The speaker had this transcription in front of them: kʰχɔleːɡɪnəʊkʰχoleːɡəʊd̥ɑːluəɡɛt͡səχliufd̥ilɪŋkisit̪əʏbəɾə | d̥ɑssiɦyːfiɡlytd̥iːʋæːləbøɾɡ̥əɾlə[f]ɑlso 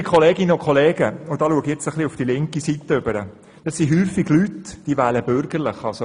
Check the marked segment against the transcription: incorrect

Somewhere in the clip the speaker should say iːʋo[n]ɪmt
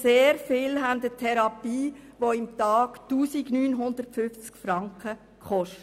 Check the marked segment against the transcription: incorrect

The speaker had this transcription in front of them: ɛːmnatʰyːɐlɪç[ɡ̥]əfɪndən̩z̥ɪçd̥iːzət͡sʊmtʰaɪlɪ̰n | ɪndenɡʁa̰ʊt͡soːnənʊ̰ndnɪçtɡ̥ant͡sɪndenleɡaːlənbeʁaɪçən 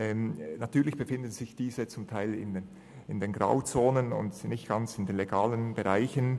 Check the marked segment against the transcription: incorrect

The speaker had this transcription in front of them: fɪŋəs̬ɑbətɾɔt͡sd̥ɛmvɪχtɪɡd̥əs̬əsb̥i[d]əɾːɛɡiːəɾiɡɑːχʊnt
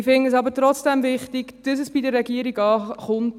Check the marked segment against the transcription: correct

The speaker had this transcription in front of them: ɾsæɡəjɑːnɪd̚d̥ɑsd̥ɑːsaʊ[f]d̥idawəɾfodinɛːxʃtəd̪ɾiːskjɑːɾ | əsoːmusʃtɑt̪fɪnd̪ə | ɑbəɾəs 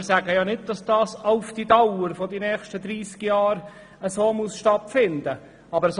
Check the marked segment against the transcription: correct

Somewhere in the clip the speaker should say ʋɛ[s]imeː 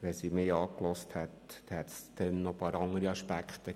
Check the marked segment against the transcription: correct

